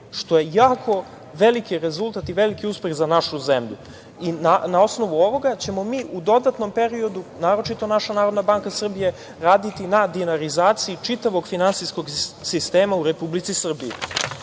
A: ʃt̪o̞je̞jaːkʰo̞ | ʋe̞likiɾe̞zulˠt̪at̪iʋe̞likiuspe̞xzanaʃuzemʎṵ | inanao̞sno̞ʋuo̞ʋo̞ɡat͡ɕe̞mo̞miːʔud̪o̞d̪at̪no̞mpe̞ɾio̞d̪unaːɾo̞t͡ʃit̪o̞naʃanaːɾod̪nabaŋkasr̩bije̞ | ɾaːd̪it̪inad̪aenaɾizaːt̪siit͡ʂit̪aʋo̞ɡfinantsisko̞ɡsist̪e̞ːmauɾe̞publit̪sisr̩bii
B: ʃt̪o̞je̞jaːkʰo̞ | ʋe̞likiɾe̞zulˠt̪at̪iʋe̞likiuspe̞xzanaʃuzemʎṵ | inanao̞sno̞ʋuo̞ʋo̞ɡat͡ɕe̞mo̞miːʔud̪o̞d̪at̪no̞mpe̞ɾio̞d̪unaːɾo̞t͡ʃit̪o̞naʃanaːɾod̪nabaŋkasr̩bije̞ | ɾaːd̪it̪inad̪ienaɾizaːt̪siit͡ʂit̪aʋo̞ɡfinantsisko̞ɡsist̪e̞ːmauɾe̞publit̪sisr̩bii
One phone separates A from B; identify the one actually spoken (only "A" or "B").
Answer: B